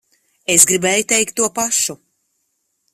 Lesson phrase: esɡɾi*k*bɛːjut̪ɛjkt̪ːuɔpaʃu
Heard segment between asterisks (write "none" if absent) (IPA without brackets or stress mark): none